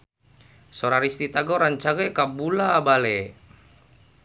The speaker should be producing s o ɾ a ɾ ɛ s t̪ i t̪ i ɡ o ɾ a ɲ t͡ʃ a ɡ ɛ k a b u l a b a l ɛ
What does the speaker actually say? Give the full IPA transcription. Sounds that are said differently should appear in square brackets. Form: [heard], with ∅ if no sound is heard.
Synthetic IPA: s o ɾ a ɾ [i] s t̪ i t̪ [a] ɡ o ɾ a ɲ t͡ʃ a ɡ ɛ k a b u l a b a l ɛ